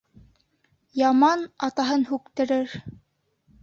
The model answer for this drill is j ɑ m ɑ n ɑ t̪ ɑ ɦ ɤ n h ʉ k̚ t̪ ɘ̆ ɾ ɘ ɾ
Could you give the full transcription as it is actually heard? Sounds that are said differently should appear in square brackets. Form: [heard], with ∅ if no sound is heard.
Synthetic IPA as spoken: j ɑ m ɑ n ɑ t̪ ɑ ɦ ɤ n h ʉ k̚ t̪ ɘ̆ ɾ ɘ ɾ